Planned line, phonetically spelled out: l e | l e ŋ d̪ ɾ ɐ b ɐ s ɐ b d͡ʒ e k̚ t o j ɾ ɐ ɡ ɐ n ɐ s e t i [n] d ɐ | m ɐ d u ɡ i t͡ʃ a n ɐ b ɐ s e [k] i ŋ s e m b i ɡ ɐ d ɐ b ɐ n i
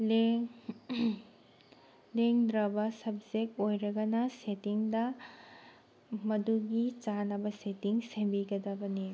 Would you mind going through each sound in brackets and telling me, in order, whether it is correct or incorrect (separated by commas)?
incorrect, incorrect